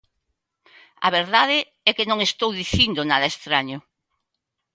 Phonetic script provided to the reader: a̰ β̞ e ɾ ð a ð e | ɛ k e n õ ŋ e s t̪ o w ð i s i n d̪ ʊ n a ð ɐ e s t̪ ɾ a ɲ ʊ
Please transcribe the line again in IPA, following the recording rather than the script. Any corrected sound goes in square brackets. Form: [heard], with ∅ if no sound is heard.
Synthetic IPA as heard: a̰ β̞ e ɾ ð a ð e | ɛ k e n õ ŋ e s t̪ o w ð i [θ] i n d̪ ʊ n a ð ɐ e s t̪ ɾ a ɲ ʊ